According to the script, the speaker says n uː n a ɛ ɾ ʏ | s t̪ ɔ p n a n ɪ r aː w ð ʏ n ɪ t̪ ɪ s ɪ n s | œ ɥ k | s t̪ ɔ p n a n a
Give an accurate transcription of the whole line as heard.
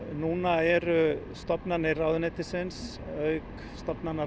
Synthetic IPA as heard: n uː n a ɛ ɾ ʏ | s t̪ ɔ p n a n ɪ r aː w ð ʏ n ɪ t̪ ɪ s ɪ n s | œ ɥ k | s t̪ ɔ p n a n a

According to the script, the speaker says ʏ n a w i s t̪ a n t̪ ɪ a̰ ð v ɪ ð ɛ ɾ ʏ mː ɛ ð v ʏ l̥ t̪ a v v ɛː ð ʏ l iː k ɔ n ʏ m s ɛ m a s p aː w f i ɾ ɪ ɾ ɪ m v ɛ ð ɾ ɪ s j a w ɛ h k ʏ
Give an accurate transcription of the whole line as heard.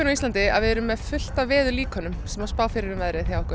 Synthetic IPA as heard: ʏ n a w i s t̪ a n t̪ ɪ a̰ ð v ɪ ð ɛ ɾ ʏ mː ɛ ð f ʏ l̥ t̪ a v v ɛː ð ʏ l iː k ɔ n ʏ m s ɛ m a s p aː w f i ɾ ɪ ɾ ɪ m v ɛ ð ɾ ɪ θ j a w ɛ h k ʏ

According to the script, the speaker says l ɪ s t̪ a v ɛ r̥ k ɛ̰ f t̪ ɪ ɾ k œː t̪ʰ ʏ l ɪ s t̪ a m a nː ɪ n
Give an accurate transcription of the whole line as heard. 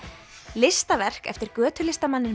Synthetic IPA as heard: l ɪ s t̪ a v ɛ r̥ k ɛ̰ f t̪ ɪ ɾ k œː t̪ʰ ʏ l ɪ s t̪ a m a nː ɪ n

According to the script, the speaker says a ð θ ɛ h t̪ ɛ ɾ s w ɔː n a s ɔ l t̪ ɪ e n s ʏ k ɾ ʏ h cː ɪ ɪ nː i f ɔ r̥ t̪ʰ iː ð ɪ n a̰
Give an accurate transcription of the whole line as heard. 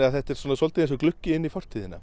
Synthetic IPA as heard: a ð θ ɛ h t̪ ɛ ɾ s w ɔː n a s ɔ l t̪ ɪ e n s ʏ k l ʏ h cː ɪ ɪ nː i f ɔ r̥ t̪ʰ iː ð ɪ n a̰

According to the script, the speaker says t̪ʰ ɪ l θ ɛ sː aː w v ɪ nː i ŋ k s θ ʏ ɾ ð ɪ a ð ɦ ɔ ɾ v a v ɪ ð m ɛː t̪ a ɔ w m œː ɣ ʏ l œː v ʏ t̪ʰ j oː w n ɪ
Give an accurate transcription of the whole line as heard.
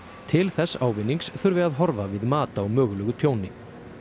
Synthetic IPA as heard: t̪ʰ ɪ l θ ɛ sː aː w v ɪ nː i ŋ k s θ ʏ ɾ v ɪ a ð ɦ ɔ ɾ v a v ɪ ð m aː t̪ a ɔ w m œː ɣ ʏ l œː ɣ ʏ t̪ʰ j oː w n ɪ

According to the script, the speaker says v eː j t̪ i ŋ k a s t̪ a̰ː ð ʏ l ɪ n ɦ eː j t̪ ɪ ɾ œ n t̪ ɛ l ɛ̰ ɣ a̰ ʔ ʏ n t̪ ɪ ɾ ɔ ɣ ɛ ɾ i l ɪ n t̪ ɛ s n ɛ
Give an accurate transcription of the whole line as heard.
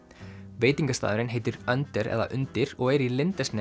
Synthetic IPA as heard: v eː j t̪ i ŋ k a s t̪ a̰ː ð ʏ ɾ ɪ n ɦ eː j t̪ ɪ ɾ œ n t̪ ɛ ɾ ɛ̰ ð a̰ ʔ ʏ n t̪ ɪ ɾ ɔ ɣ ɛ ɾ i l ɪ n t̪ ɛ s n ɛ

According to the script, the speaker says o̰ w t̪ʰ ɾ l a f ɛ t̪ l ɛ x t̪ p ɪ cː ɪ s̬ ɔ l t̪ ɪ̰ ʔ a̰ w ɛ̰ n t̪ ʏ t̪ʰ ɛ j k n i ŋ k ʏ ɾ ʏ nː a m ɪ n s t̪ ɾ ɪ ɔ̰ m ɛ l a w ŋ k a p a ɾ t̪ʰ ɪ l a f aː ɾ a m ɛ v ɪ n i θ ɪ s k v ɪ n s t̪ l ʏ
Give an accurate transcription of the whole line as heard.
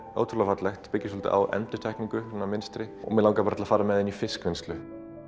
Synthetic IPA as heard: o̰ w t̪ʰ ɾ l a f a t̪ l ɛ x t̪ p ɪ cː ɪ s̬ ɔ l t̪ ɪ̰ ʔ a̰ w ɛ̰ n t̪ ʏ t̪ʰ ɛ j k n i ŋ k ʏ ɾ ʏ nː a m ɪ n s t̪ ɾ ɪ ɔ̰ m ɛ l a w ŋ k a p a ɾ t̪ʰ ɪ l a f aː ɾ a m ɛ ð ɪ n i f ɪ s k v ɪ n s t̪ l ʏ

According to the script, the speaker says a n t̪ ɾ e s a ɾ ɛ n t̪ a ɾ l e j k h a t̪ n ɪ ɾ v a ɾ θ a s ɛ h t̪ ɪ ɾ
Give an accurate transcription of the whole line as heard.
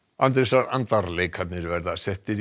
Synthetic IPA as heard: a n t̪ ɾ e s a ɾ a n t̪ a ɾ l e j k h a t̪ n ɪ ɾ v ɛ ɾ ð a s ɛ h t̪ ɪ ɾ

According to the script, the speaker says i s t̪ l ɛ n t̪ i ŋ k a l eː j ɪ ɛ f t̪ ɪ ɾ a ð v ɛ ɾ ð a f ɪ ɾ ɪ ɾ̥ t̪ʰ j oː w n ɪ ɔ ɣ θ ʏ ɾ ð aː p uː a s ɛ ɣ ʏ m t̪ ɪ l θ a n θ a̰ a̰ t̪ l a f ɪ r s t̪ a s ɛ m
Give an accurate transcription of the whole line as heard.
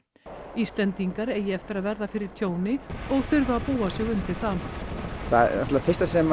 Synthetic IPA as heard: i s t̪ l ɛ n t̪ i ŋ k a ɾ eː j ɪ ɛ f t̪ ɪ ɾ a ð v ɛ ɾ ð a f ɪ ɾ ɪ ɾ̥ t̪ʰ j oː w n ɪ ɔ ɣ θ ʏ ɾ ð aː p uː a s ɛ ɣ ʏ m t̪ ɪ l θ a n θ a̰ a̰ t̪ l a f ɪ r s t̪ a s ɛ m

